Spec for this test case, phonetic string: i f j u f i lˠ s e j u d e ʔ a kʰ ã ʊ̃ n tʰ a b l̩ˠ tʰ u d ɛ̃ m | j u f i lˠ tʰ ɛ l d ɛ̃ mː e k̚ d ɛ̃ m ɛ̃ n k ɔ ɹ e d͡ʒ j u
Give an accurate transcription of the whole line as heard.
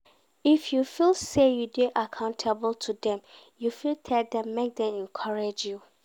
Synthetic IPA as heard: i f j u f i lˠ s e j u d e ʔ a kʰ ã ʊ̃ n tʰ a b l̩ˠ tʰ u d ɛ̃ m | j u f i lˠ tʰ ɛ l d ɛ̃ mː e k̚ d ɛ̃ m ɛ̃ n kʰ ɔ ɹ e d͡ʒ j u